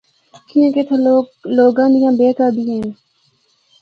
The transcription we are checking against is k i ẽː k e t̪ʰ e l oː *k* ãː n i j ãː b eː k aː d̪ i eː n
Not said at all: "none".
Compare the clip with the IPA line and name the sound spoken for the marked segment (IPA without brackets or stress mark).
ɡ